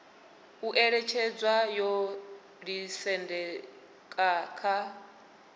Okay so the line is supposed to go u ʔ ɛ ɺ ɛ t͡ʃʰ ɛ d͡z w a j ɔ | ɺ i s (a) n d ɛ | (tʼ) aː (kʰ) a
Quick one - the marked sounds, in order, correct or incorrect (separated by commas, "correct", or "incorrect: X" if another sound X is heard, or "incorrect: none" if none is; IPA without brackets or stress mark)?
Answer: incorrect: ɛ, incorrect: kʼ, correct